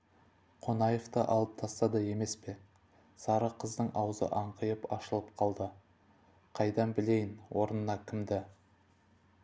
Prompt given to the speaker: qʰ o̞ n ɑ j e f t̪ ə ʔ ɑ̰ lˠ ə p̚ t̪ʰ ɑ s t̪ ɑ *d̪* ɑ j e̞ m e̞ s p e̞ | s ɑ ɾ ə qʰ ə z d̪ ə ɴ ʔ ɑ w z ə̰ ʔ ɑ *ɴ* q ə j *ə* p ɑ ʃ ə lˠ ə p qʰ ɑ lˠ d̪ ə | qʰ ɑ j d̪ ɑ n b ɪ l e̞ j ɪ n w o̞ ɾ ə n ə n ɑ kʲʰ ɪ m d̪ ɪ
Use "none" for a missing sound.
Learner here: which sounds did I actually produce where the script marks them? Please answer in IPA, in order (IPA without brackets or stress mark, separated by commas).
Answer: d̪, ɴ, ə